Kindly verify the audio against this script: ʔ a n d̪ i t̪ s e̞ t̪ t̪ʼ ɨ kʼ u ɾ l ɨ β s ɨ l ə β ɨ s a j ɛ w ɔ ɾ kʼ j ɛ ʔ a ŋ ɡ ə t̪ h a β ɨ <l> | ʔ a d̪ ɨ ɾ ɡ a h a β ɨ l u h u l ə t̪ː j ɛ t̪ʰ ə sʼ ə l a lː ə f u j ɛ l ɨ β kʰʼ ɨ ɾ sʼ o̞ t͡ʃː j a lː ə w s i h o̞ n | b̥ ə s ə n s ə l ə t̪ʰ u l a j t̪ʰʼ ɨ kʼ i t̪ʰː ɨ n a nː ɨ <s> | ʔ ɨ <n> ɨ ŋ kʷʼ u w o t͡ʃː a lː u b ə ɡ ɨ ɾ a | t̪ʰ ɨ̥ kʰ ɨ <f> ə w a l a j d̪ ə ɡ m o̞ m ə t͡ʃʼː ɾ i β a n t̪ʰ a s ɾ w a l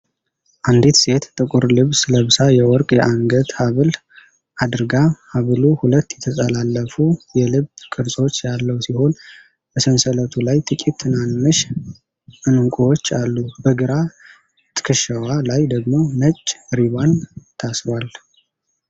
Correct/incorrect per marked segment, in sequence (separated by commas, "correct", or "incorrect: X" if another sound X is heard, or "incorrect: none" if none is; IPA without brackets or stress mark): correct, incorrect: ʃ, correct, incorrect: ʃ